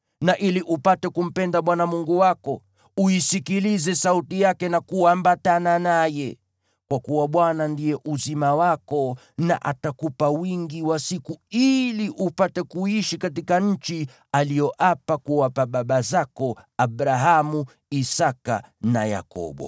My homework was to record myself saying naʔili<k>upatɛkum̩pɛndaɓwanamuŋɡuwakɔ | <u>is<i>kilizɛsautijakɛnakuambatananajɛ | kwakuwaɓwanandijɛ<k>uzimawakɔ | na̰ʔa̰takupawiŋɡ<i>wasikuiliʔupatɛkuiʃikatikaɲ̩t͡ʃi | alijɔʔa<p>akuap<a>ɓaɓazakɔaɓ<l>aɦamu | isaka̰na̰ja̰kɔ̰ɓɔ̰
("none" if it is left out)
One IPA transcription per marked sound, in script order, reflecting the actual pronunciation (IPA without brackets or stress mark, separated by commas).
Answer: ʔ, u, i, ʔ, i, p, a, ɾ